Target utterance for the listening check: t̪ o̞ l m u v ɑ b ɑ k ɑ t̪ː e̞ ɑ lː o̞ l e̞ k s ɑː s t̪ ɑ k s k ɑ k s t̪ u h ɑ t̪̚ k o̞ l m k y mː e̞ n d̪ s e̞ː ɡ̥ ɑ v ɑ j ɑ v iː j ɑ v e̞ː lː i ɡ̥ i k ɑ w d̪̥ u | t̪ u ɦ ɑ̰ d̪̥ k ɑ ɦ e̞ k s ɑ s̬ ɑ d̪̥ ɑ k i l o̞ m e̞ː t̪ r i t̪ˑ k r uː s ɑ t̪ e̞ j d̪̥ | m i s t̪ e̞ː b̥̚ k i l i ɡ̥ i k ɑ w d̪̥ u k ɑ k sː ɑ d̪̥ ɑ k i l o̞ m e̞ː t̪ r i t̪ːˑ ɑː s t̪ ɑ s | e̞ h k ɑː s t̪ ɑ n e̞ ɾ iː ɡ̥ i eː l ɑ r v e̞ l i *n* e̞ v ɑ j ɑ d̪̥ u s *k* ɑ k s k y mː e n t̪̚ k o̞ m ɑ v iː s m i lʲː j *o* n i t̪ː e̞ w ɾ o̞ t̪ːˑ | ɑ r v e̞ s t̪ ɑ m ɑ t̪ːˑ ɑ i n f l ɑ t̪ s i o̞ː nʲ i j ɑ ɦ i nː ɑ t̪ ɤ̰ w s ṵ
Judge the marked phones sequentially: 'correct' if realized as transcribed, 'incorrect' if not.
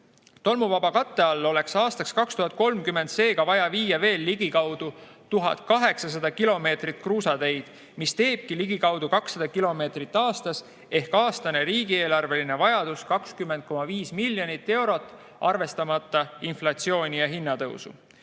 correct, correct, correct

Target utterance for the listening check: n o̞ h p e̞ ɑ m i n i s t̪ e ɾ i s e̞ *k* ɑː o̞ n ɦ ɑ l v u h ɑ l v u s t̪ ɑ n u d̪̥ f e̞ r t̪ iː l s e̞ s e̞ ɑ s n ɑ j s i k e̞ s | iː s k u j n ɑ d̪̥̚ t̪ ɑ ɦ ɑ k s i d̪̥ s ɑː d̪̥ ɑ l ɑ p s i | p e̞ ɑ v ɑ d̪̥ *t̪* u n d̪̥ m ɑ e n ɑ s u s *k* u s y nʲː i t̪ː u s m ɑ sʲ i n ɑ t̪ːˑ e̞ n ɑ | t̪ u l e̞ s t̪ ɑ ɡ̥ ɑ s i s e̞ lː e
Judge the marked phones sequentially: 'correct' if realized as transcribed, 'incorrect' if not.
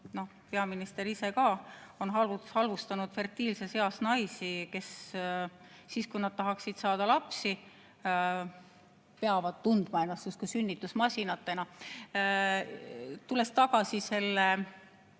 correct, correct, correct

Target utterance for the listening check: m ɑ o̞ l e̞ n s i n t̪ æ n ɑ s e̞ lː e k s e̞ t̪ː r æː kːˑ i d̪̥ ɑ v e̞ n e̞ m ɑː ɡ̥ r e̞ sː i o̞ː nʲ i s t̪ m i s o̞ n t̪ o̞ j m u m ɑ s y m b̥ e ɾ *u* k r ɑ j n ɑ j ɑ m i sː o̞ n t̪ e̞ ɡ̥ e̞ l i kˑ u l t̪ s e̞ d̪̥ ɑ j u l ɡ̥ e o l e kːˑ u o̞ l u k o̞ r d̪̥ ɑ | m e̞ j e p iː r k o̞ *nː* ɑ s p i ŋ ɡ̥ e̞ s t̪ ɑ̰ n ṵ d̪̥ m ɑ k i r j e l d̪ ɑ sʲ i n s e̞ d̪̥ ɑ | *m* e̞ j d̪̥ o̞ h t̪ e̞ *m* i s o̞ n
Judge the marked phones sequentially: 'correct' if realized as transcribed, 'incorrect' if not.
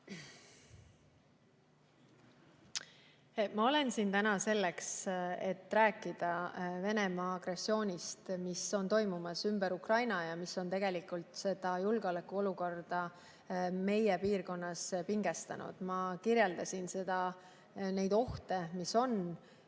correct, correct, incorrect: n, correct

